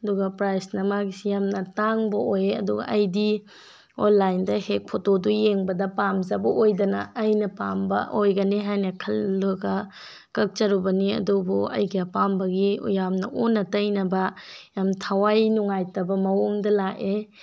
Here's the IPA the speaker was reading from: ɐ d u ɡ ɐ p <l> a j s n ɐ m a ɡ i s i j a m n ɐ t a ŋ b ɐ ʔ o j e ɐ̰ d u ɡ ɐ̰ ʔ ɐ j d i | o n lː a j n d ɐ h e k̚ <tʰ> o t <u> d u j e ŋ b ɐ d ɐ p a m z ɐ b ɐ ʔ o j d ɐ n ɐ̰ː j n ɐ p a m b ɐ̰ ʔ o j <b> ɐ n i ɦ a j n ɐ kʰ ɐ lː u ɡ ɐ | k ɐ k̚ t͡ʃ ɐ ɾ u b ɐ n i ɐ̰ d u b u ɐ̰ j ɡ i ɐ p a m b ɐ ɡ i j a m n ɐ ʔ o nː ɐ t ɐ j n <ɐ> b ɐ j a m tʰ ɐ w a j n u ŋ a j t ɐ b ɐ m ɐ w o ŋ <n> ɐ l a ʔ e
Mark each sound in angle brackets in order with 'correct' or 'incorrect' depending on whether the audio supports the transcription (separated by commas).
incorrect, incorrect, incorrect, incorrect, correct, incorrect